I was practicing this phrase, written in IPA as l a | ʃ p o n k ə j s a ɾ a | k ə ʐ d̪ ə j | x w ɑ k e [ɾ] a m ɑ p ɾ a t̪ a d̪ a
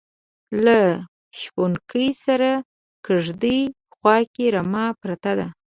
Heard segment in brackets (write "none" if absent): ɾ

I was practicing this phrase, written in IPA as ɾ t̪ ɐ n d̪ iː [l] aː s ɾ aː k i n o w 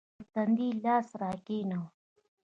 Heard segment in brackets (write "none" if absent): l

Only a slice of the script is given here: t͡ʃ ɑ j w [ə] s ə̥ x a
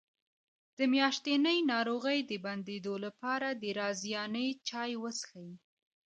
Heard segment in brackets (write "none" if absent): ə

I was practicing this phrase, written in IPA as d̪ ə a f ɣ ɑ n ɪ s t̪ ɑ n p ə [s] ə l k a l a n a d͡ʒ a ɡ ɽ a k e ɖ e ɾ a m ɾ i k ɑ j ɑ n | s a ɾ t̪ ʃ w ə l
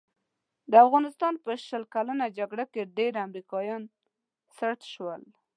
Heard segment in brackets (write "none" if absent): ʃ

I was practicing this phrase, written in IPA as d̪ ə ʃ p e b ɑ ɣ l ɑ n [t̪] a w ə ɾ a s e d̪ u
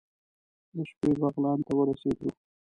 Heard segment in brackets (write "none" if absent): t̪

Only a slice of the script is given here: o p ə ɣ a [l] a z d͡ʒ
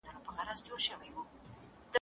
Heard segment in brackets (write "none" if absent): ɾ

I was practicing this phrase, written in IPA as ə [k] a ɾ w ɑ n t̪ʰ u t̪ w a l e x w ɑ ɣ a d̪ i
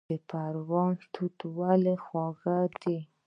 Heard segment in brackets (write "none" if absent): p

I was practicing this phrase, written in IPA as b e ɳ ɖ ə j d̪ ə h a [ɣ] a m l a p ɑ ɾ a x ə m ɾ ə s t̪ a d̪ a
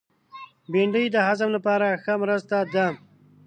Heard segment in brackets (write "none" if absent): z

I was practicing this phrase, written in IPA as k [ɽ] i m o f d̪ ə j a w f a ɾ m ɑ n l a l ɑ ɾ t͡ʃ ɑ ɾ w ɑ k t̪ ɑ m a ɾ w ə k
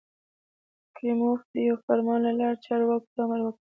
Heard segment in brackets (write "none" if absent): ɾ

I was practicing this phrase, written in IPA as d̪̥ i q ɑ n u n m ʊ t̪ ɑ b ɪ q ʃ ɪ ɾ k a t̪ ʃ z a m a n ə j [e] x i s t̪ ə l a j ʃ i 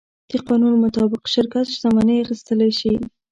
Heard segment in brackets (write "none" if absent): a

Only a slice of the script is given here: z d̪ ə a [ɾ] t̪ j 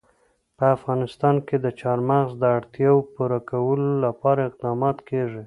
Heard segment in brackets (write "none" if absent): ɽ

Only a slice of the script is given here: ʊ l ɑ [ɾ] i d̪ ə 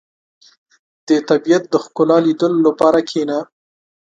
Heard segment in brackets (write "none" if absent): l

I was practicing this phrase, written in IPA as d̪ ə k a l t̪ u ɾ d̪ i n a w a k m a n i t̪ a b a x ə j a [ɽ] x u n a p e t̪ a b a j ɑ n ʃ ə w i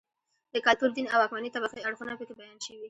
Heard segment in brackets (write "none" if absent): ɽ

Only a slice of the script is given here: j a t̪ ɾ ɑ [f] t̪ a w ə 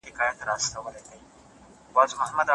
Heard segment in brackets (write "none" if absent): s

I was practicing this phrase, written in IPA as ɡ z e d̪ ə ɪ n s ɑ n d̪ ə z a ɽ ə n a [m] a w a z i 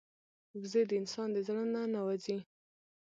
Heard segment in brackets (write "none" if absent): n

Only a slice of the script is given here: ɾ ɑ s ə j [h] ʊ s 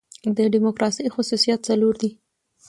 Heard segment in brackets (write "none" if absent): x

